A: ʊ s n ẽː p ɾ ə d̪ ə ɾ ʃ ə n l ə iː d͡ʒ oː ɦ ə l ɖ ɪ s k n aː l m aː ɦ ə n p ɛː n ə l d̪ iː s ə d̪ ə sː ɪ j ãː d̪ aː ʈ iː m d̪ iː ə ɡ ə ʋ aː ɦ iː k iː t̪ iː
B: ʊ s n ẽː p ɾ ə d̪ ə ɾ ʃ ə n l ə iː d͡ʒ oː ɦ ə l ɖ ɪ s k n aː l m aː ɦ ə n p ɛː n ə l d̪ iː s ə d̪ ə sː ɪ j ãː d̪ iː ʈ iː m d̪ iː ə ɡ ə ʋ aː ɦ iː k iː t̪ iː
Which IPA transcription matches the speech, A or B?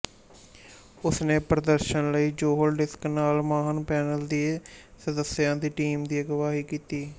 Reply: B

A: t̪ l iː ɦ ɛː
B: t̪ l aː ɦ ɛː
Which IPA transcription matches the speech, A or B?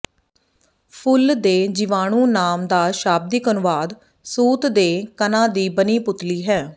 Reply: A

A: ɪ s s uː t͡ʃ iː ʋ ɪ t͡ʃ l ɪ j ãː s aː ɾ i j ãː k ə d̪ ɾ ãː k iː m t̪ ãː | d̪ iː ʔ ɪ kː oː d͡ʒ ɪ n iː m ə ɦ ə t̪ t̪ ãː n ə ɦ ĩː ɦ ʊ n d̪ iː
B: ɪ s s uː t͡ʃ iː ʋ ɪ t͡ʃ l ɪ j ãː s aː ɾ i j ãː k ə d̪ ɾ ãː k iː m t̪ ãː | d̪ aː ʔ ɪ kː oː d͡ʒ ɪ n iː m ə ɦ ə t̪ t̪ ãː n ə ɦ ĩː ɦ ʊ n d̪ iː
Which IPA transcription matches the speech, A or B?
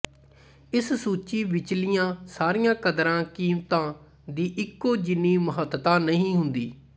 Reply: A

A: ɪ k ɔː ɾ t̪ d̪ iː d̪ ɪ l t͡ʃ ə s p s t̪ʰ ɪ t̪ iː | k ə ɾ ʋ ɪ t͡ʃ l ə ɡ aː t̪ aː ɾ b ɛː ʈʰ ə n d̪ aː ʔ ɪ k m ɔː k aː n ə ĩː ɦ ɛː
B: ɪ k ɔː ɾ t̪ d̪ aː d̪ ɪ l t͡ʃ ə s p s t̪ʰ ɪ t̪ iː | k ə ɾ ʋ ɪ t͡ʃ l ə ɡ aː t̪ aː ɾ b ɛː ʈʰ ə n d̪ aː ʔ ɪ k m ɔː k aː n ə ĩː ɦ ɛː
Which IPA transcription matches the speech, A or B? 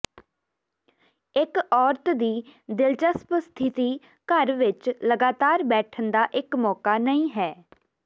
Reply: A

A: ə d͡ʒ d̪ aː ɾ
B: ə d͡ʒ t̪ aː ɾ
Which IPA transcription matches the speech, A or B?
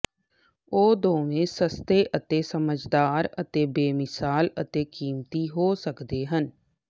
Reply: A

